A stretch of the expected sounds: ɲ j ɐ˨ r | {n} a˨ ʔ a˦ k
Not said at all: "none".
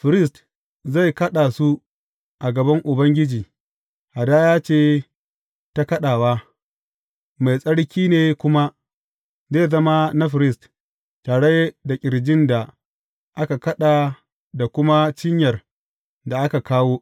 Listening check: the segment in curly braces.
d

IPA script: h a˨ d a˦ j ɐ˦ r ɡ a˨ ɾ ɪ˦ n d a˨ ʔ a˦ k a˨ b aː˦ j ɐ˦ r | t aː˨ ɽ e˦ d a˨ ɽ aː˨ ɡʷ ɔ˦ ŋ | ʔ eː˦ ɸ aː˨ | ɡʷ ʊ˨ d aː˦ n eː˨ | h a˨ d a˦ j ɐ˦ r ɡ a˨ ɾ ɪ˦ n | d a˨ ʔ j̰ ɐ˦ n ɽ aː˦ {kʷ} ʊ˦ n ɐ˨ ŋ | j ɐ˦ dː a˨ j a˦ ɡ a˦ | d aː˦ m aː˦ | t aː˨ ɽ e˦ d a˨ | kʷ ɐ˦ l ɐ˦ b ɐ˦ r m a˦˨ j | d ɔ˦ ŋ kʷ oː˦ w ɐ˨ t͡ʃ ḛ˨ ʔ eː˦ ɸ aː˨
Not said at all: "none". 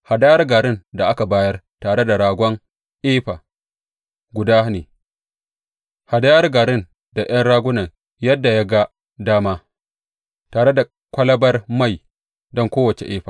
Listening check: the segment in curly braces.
ɡʷ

